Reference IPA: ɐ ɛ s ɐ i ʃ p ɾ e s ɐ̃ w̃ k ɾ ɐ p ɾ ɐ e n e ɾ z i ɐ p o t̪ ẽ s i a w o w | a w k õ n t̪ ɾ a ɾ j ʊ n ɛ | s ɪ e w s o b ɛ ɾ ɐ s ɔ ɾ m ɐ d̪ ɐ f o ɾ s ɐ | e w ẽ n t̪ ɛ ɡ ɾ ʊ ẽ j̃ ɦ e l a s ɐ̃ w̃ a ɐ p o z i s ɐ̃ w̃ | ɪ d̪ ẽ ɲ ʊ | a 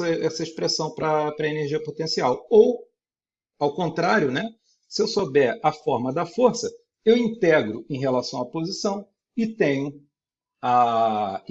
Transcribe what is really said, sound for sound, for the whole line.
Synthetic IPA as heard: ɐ ɛ s ɐ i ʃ p ɾ e s ɐ̃ w̃ p ɾ ɐ p ɾ ɐ e n e ɾ ʒ i ɐ p o t̪ ẽ s i a w o w | a w k õ n t̪ ɾ a ɾ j ʊ n ɛ | s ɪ e w s o b ɛ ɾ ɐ f ɔ ɾ m ɐ d̪ ɐ f o ɾ s ɐ | e w ĩ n t̪ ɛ ɡ ɾ ʊ ẽ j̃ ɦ e l a s ɐ̃ w̃ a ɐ p o z i s ɐ̃ w̃ | ɪ t̪ ẽ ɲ ʊ | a